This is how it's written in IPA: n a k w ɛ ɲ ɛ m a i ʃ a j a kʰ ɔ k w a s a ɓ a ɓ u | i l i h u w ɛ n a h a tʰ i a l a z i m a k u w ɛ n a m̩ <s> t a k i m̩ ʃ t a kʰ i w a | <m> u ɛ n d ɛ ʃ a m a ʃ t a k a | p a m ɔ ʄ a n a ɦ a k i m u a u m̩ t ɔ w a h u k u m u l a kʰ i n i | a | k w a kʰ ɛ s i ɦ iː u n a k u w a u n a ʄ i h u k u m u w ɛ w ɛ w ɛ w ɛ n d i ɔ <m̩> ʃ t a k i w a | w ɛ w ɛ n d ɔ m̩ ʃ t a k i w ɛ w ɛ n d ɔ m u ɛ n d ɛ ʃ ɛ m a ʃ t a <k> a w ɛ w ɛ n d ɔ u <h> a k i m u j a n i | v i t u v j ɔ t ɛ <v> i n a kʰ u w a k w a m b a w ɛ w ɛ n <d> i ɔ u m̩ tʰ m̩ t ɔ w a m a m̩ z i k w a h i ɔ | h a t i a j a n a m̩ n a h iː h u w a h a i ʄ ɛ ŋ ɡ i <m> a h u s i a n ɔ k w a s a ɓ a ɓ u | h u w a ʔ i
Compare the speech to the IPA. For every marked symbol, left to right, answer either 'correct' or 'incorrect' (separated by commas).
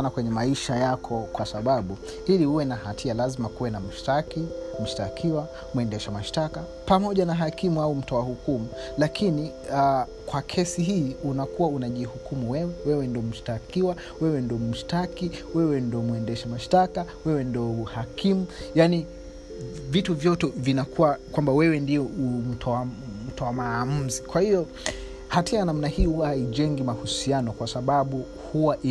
incorrect, correct, correct, correct, correct, correct, correct, correct